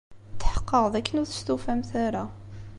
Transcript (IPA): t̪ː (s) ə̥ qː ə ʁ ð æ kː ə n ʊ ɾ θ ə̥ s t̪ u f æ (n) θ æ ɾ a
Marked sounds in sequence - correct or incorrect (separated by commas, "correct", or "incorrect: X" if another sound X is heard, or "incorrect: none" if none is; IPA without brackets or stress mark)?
incorrect: ħ, incorrect: m